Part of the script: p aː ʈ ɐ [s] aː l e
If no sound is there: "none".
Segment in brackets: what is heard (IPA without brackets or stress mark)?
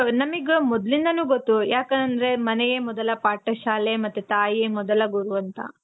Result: ʃ